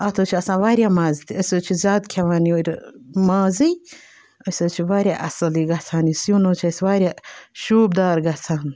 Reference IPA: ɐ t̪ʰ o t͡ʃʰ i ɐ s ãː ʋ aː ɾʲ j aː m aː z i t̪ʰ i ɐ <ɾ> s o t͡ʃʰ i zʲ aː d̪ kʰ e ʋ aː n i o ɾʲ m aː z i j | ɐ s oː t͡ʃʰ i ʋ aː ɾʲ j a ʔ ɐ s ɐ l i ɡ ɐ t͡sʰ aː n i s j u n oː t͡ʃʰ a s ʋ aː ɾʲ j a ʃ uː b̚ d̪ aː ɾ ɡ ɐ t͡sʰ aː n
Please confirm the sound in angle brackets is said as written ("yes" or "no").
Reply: no